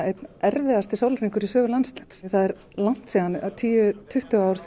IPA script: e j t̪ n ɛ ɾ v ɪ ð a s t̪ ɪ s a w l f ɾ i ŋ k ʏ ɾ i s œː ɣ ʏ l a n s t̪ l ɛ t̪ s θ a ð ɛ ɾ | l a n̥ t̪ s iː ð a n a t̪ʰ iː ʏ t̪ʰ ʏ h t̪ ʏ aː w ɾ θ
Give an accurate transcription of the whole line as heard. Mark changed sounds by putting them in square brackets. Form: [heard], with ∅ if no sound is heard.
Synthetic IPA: e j t̪ n ɛ ɾ v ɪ ð a s t̪ ɪ s a w l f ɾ i ŋ k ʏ ɾ i s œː ɣ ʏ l a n s t̪ l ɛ t̪ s θ a ð ɛ ɾ | l a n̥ t̪ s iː ð a n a t̪ʰ iː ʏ t̪ʰ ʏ h t̪ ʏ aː w ɾ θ